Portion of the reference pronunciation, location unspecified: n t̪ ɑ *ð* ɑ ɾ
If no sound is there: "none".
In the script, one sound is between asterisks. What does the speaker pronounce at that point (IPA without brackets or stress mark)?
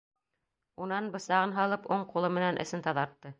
ð